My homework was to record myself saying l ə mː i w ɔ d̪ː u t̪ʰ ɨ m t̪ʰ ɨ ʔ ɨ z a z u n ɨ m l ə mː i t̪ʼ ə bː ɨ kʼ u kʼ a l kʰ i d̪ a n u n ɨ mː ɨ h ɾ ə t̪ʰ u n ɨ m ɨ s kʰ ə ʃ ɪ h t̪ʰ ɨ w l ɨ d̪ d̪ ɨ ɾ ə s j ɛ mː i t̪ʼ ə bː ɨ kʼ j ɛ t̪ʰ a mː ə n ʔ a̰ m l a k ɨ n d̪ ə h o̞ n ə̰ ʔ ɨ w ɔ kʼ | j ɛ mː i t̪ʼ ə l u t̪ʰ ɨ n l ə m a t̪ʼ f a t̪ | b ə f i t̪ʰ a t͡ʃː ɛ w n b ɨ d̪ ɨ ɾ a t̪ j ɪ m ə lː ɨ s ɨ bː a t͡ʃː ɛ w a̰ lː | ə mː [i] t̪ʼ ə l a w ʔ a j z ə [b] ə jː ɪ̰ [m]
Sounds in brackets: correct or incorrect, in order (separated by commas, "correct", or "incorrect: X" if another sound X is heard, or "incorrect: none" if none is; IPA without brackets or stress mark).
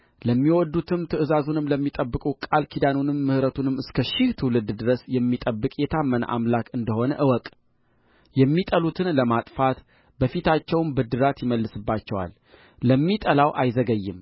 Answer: correct, incorrect: ɡ, correct